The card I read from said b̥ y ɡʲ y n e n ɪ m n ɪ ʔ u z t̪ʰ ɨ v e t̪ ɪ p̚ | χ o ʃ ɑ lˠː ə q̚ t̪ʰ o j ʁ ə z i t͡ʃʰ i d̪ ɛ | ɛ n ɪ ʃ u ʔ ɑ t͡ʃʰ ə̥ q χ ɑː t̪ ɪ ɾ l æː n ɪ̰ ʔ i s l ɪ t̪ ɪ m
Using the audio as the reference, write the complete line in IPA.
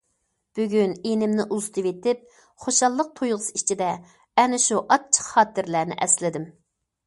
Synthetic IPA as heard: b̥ y ɡʲ y n e n ɪ m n ɪ ʔ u z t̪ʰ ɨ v e t̪ ɪ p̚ | χ o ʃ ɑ lˠː ə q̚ t̪ʰ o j ʁ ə s i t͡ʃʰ i d̪ ɛ | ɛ n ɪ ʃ u ʔ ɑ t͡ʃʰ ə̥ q χ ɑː t̪ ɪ ɾ l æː n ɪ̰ ʔ ɛ s l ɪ d̪ ɪ m